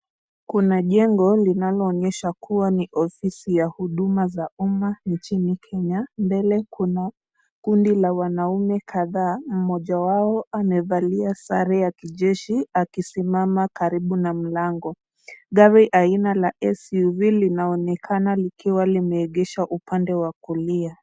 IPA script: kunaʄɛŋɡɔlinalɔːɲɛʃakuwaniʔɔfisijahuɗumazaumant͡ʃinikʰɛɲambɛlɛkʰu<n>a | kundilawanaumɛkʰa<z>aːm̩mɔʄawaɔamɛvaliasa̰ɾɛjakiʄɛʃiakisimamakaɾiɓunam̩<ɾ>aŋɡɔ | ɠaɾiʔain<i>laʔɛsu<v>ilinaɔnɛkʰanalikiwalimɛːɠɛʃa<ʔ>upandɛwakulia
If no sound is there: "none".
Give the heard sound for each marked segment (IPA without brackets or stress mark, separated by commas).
n, ð, l, a, v, ʔ